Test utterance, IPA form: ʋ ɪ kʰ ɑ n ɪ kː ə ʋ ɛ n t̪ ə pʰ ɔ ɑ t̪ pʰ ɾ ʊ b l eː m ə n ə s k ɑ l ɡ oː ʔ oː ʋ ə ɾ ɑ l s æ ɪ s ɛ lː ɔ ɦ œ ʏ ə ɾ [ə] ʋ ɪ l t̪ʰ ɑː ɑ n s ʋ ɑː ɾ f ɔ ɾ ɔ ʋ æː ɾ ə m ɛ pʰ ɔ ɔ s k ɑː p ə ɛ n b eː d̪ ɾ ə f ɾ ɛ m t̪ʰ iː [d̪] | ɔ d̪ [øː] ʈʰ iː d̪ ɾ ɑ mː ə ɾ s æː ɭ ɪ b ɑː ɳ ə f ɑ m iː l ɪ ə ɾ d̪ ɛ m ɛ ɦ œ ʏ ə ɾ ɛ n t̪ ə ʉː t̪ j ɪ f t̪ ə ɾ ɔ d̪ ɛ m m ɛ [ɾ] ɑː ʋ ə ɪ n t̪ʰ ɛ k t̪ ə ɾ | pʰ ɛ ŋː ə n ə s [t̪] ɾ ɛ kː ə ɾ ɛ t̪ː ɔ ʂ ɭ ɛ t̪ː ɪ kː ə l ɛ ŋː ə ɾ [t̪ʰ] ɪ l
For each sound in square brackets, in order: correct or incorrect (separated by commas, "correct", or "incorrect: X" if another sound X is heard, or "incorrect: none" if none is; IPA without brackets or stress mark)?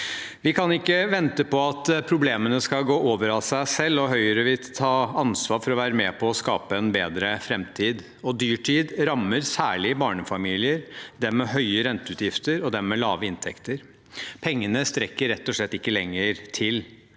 correct, correct, incorrect: yː, incorrect: l, correct, correct